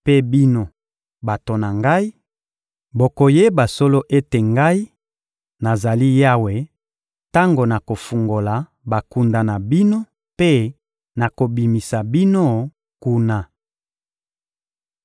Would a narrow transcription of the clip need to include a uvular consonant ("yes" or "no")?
no